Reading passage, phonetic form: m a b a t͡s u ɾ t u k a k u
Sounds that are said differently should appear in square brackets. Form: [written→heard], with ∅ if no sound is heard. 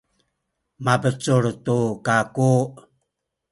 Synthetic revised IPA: m a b [a→ə] t͡s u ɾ t u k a k u